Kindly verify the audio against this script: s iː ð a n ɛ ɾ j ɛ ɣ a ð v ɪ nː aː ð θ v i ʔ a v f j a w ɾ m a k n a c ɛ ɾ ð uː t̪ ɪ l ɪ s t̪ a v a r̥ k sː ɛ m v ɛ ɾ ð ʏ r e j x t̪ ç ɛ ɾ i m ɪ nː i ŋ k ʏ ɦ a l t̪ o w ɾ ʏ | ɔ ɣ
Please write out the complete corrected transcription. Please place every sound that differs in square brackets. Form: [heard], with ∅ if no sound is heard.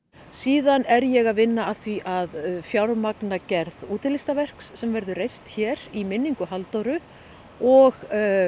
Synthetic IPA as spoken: s iː ð a n ɛ ɾ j ɛ ɣ a ð v ɪ nː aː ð θ v i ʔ a [ð] f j a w ɾ m a k n a c ɛ ɾ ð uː t̪ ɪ l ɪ s t̪ a v [ɛ] r̥ k sː ɛ m v ɛ ɾ ð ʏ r e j [s] t̪ ç ɛ ɾ i m ɪ nː i ŋ k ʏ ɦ a l t̪ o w ɾ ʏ | ɔ ɣ

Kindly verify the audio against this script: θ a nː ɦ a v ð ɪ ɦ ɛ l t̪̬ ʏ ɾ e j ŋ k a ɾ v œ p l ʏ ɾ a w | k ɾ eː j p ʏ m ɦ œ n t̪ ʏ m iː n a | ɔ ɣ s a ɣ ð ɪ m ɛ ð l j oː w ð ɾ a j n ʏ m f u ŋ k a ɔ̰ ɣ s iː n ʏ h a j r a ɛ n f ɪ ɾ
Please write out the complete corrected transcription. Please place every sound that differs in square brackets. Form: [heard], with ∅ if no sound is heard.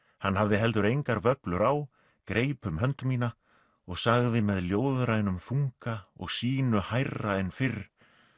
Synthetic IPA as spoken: [h] a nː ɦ a v ð ɪ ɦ ɛ l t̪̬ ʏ ɾ e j ŋ k a ɾ v œ p l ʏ ɾ a w | k ɾ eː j p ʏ m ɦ œ n t̪ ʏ m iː n a | ɔ ɣ s a ɣ ð ɪ m ɛ ð l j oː w ð ɾ a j n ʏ m f u ŋ k a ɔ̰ ɣ s iː n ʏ h a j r a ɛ n f ɪ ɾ

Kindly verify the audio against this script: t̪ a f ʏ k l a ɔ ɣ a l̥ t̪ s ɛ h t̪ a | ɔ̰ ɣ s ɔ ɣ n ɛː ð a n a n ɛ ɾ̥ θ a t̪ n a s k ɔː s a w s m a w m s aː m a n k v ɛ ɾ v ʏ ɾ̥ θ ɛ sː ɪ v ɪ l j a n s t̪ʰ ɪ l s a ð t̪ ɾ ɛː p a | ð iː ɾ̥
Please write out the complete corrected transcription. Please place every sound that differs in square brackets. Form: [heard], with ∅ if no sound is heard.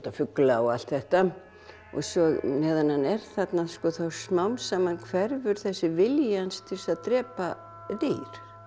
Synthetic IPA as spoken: t̪ a f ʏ k l a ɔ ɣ a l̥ t̪ [θ] ɛ h t̪ a | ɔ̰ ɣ s ɔ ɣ n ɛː ð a n a n ɛ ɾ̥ θ a t̪ n a s k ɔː [θ] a w s m a w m s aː m a n [kʰ] v ɛ ɾ v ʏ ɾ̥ θ ɛ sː ɪ v ɪ l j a n s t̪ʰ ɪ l s a ð t̪ ɾ ɛː p a | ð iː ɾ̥

